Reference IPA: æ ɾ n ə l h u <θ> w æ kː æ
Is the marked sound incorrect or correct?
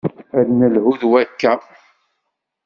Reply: incorrect